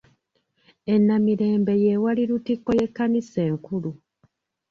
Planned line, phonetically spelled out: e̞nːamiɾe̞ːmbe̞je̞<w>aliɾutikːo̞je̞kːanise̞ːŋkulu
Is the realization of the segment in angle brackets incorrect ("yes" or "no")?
no